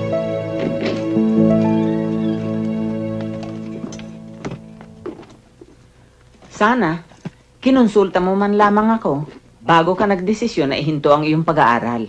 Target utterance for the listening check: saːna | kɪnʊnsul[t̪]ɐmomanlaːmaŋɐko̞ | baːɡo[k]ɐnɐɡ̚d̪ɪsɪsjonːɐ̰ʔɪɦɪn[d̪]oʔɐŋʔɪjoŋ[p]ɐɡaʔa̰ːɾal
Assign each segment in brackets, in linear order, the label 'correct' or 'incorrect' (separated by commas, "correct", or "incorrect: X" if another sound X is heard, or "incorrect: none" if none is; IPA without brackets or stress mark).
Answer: correct, correct, incorrect: t̪, correct